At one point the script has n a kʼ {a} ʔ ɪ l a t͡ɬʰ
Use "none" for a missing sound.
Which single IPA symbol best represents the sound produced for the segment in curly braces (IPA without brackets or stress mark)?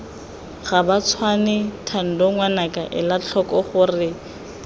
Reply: a